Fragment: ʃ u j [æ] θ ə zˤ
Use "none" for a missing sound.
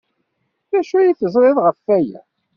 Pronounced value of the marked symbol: i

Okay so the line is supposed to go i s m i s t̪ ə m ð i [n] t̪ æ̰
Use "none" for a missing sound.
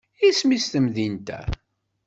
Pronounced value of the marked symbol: n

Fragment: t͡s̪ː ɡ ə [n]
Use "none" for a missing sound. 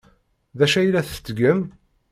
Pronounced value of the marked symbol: m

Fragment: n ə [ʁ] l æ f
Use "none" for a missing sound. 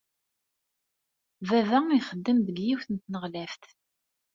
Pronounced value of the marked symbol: ʁ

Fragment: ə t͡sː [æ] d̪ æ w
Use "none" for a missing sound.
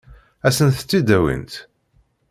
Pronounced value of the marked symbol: i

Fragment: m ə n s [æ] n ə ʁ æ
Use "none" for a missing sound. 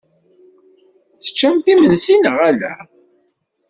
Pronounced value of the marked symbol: i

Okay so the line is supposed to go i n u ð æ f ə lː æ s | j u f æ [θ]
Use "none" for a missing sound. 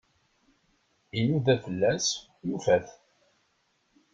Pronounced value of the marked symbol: θ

